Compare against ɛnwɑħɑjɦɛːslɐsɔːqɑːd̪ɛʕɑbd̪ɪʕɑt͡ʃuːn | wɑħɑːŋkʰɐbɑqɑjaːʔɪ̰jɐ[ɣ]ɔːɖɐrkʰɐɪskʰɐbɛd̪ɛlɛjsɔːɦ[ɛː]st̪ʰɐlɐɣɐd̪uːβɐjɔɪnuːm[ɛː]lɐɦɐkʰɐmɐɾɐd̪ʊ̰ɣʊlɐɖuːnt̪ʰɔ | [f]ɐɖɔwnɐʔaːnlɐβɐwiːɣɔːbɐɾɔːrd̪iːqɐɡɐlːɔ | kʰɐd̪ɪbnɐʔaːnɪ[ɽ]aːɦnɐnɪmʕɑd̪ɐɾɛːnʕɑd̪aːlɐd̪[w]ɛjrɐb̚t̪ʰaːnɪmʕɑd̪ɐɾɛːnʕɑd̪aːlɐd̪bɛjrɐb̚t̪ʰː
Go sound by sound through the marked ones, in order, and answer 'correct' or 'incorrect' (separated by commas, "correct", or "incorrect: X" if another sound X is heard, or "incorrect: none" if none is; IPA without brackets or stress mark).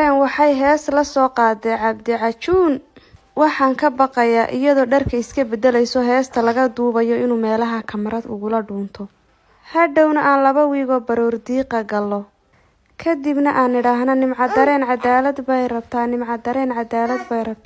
incorrect: ð, correct, correct, incorrect: h, correct, incorrect: b